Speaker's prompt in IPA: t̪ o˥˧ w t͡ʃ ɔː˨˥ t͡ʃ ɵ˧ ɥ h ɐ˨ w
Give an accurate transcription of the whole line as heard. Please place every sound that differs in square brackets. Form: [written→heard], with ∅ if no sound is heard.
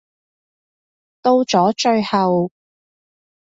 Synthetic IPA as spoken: t̪ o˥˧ w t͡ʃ ɔː˨˥ t͡ʃ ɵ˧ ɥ h ɐ˨ w

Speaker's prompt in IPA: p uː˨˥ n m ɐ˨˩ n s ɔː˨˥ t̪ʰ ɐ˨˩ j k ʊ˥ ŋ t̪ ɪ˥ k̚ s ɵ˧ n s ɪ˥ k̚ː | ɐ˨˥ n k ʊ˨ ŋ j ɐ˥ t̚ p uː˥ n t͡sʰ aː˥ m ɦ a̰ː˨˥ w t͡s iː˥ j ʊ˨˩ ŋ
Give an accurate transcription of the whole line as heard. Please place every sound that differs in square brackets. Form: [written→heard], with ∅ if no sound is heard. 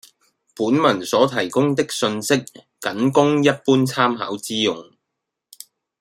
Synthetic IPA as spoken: p uː˨˥ n m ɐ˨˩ n s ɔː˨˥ t̪ʰ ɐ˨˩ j k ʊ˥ ŋ t̪ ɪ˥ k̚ s ɵ˧ n s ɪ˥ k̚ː | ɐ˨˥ n k [ʊ˨→ʊ˥] ŋ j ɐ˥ t̚ p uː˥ n t͡sʰ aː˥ m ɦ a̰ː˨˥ w t͡s iː˥ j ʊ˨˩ ŋ

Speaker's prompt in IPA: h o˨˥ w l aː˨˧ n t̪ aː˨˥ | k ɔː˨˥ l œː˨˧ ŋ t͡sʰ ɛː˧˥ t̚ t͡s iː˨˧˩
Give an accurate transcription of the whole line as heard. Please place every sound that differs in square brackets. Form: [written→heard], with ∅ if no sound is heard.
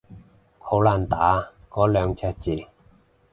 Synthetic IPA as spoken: h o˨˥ w l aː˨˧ n t̪ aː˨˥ | k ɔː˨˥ l œː˨˧ ŋ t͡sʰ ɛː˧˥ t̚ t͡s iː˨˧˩

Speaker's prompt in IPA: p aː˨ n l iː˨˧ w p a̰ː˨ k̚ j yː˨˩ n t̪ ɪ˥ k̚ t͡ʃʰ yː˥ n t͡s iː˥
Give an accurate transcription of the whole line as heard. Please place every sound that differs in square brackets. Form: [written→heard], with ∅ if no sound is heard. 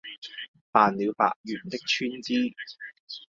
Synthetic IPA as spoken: p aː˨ n l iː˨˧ w p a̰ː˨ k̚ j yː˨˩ n t̪ ɪ˥ k̚ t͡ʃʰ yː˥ n t͡s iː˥

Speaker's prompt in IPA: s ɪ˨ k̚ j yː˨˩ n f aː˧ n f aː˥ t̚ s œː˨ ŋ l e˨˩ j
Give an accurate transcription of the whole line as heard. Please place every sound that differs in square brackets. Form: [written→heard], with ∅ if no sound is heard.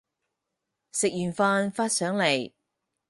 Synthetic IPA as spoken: s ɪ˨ k̚ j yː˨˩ n f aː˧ n f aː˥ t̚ s [œː˨→œː˨˥] ŋ l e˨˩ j

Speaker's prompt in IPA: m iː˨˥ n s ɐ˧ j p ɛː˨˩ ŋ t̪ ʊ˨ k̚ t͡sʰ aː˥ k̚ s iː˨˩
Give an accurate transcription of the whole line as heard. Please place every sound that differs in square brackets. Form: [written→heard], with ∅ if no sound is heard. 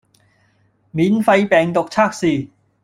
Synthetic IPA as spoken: m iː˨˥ n [s→f] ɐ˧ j p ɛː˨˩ ŋ t̪ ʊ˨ k̚ t͡sʰ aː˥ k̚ s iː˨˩

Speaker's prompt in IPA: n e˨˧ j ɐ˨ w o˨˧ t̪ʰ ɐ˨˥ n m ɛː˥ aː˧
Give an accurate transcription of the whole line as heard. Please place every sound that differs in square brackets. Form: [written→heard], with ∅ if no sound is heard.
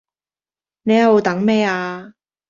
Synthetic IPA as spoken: n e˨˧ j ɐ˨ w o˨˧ [t̪ʰ→t̪] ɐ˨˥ [n→ŋ] m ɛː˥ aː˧

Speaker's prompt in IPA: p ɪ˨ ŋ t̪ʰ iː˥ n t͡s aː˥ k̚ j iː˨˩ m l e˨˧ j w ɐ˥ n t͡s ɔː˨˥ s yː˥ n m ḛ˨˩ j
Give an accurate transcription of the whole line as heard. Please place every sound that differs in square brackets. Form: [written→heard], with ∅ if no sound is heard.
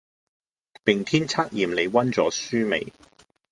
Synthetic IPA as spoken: p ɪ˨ ŋ t̪ʰ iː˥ n [t͡s→t͡sʰ] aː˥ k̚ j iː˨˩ m l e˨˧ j w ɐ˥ n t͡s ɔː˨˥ s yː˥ [n→∅] m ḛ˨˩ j

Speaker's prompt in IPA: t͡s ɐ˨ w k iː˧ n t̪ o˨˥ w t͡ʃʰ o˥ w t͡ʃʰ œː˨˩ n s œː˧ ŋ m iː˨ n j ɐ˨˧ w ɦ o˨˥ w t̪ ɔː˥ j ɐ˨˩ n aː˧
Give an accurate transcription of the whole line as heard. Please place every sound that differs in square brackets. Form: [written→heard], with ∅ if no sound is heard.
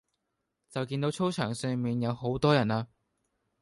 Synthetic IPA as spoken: t͡s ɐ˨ w k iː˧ n t̪ o˨˥ w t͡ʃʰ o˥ w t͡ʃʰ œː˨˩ [n→ŋ] s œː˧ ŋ m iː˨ n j ɐ˨˧ w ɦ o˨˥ w t̪ ɔː˥ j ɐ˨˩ n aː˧

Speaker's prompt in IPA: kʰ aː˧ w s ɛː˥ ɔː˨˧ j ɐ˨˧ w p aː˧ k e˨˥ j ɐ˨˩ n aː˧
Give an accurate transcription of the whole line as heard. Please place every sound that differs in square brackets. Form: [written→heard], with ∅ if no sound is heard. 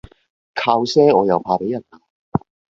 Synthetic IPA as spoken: kʰ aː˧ w s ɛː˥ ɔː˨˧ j ɐ˨˧ w [p→pʰ] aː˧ [k→p] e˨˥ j ɐ˨˩ n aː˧

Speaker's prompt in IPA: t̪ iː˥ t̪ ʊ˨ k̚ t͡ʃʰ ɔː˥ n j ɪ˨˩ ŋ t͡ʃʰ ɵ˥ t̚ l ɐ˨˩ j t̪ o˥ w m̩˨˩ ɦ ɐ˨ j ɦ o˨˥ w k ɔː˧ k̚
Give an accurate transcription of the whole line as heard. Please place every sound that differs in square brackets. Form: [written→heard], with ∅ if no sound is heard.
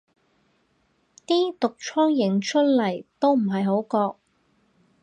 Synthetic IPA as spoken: t̪ iː˥ t̪ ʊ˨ k̚ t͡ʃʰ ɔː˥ [n→ŋ] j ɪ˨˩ ŋ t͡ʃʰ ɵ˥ t̚ l ɐ˨˩ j t̪ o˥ w m̩˨˩ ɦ ɐ˨ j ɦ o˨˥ w k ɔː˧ k̚

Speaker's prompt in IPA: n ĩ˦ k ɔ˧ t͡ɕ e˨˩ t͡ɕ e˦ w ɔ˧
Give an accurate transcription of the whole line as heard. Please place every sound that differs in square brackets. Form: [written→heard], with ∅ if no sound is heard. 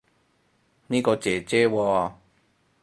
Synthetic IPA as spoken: n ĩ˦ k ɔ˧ t͡ɕ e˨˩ t͡ɕ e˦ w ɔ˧

